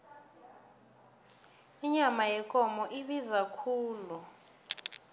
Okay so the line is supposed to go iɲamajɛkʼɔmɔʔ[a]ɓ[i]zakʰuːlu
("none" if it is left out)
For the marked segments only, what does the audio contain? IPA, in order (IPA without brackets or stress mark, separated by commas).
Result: i, i